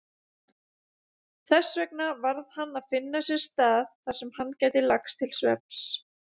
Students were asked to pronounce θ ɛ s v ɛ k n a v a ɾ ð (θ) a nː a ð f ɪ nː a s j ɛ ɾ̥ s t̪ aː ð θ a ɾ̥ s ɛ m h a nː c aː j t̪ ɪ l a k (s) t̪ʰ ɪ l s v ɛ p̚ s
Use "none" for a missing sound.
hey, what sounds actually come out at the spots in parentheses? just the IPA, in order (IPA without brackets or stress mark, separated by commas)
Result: h, s